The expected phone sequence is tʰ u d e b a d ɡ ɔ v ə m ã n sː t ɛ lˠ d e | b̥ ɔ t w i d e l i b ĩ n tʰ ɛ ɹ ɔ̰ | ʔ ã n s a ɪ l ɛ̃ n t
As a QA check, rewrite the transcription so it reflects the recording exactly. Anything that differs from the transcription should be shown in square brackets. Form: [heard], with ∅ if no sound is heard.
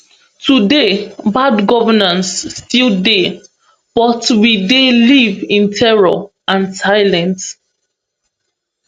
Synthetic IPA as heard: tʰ u d e b a d ɡ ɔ v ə [n] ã n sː t [i] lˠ d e | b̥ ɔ t w i d e l i [v] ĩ n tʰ ɛ ɹ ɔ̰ | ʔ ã n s a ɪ l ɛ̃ n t

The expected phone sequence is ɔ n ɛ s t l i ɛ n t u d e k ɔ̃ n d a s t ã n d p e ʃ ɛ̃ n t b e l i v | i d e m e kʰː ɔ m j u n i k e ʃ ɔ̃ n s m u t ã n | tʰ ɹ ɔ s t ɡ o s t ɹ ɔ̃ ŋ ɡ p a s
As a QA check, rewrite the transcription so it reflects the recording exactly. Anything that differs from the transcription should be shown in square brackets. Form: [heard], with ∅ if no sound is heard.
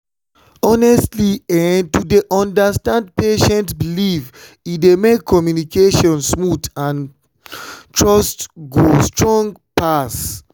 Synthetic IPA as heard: ɔ n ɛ s t l i ɛ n t u d e [ʔ] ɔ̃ n d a s t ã n d p e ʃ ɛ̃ n t b [i] l i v | i d e m e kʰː ɔ m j u n i k e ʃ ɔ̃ n s m u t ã n | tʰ ɹ ɔ s t ɡ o s t ɹ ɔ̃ ŋ ɡ p a s

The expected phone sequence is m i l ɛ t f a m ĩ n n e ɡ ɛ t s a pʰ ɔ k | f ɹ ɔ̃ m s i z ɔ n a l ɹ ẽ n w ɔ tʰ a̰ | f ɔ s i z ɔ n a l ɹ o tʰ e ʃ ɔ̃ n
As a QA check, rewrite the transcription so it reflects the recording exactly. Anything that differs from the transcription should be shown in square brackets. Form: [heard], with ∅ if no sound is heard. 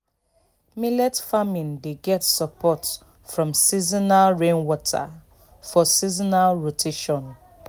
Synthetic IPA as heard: m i l ɛ t f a m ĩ n [d] e ɡ ɛ t s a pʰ ɔ [t] | f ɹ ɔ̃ m s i z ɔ n a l ɹ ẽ n w ɔ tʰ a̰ | f ɔ s i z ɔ n a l ɹ o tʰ e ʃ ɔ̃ n

